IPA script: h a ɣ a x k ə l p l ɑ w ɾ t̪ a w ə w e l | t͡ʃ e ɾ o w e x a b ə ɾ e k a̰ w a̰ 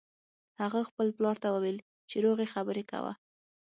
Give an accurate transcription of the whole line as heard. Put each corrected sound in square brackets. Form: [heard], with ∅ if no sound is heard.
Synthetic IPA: h a ɣ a x [p] ə l p l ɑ [∅] ɾ t̪ a w ə w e l | t͡ʃ e ɾ o [ɣ] e x a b ə ɾ e k a̰ w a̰